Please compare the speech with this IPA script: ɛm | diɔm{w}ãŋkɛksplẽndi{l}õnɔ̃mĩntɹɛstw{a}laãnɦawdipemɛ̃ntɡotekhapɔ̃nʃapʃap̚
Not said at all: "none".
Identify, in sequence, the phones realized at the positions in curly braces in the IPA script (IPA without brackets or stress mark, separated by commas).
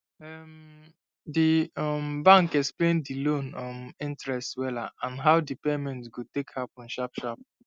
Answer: b, l, ɛ